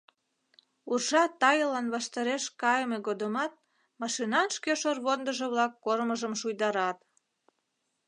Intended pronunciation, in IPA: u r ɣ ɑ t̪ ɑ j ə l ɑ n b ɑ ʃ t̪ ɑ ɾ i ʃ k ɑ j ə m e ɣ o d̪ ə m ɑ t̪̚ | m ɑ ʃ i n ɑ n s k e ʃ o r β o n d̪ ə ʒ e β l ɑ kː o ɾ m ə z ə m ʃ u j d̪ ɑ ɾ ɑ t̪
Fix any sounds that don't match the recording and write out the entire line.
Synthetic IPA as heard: u r ʒ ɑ t̪ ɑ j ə l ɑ n β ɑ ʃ t̪ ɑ ɾ e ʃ k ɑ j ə m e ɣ o d̪ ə m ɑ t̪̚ | m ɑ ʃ i n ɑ n ʃ k e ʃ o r β o n d̪ ə ʒ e β l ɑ kː o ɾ m ə ʒ ə m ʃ u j d̪ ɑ ɾ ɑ t̪